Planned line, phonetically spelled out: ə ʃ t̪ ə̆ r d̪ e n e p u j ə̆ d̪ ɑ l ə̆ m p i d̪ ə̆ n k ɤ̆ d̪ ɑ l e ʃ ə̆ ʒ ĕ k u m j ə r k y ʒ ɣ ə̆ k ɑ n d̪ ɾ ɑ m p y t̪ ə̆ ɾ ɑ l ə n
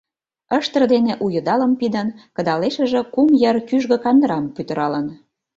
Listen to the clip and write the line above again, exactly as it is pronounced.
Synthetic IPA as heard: ə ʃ t̪ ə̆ r d̪ e n e ʔ u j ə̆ d̪ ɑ l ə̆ m p i d̪ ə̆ n k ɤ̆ d̪ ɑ l e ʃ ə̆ ʒ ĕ k u m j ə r k y ʒ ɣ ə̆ k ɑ n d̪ ɾ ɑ m p y t̪ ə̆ ɾ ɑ l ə n